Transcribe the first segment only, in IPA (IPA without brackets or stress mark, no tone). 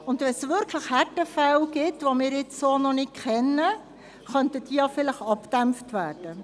ʊ